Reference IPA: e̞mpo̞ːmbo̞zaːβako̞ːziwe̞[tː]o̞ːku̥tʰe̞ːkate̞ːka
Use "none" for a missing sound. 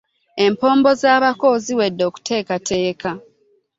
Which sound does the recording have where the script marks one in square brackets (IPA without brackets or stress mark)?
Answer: dː